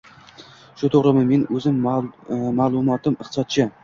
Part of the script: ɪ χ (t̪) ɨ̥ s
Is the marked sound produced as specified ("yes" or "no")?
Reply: yes